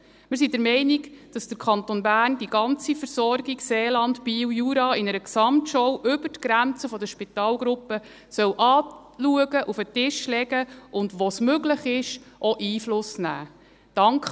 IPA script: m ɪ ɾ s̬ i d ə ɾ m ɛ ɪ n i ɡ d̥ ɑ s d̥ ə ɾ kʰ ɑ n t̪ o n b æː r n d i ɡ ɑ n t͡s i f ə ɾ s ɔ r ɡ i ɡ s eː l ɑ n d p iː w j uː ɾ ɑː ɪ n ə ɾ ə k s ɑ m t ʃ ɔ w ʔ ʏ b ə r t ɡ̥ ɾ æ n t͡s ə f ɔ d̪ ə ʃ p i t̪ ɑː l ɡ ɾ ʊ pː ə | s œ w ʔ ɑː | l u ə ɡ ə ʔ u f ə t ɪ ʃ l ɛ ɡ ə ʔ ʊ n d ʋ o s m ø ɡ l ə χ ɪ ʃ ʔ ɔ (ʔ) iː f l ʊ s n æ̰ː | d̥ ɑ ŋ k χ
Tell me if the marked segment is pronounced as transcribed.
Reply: yes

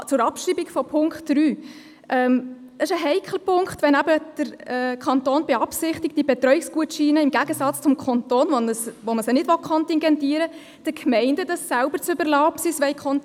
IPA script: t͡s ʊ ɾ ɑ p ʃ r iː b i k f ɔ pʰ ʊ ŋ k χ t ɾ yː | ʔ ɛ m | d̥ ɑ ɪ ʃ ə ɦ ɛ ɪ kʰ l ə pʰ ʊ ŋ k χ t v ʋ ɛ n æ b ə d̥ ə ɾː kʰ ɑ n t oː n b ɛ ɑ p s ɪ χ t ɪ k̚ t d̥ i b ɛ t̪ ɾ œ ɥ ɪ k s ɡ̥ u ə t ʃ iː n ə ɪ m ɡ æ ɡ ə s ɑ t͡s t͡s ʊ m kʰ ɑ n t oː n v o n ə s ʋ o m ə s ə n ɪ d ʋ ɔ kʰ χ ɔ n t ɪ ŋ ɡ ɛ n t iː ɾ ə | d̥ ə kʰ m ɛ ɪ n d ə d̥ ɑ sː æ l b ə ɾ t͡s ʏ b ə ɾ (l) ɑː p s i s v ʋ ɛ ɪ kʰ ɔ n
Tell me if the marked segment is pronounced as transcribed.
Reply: yes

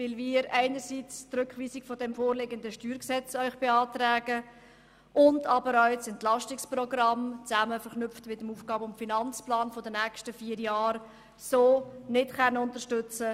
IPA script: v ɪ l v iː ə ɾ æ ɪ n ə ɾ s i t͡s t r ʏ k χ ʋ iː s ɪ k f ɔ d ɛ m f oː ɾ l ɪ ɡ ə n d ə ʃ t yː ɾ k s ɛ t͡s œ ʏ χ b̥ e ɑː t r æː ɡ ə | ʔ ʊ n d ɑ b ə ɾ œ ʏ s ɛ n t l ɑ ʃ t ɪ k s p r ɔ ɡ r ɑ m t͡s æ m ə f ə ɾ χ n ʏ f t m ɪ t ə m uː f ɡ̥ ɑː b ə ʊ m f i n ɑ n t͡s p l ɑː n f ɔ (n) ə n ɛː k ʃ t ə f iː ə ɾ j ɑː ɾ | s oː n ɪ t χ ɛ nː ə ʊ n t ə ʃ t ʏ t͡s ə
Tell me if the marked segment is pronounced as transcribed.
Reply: no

